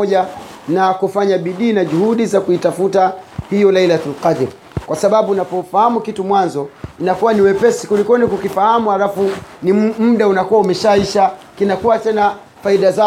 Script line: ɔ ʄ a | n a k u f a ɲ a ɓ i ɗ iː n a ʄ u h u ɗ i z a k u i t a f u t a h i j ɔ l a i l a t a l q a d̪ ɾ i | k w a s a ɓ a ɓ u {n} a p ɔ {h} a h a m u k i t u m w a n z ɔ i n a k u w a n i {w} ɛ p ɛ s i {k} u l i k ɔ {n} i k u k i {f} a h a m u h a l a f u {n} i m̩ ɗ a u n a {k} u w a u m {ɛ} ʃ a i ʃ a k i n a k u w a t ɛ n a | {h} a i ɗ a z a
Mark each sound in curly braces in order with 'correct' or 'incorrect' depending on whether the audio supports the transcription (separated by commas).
correct, incorrect, correct, correct, correct, correct, correct, correct, correct, incorrect